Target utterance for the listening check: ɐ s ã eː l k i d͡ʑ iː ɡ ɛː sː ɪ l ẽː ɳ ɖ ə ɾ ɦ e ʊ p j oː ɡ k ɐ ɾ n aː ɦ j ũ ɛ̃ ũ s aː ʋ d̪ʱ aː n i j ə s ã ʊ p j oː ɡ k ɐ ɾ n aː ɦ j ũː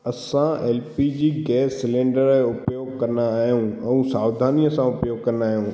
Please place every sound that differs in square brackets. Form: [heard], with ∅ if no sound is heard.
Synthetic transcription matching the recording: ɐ s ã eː l [p] i d͡ʑ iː ɡ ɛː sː ɪ l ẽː ɳ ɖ ə ɾ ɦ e ʊ p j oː ɡ k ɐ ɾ n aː ɦ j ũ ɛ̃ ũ s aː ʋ d̪ʱ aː n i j ə s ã ʊ p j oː ɡ k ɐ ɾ n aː ɦ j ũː